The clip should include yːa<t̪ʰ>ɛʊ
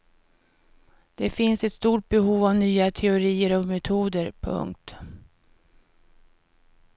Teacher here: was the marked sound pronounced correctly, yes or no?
yes